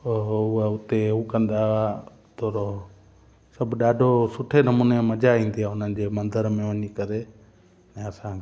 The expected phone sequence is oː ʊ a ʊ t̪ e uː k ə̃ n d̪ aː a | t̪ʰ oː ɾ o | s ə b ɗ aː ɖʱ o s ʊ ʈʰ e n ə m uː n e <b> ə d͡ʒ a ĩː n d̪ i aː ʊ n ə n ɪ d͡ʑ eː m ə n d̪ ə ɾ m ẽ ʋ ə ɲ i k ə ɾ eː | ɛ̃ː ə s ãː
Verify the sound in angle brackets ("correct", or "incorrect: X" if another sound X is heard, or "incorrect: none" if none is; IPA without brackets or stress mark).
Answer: incorrect: m